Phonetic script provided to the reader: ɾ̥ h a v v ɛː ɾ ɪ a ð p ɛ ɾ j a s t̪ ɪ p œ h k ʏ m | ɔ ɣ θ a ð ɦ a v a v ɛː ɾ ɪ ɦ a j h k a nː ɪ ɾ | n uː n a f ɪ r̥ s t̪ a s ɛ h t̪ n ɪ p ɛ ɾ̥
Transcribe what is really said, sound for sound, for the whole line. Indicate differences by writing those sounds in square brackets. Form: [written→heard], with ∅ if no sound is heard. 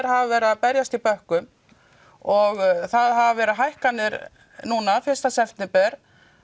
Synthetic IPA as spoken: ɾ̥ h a v v ɛː ɾ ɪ a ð p ɛ ɾ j a s t̪ [ɪ→i] p œ h k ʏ m | ɔ ɣ θ a ð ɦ a v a v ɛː ɾ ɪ ɦ a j h k a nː ɪ ɾ | n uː n a f ɪ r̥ s t̪ a s ɛ [h→f] t̪ n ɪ p ɛ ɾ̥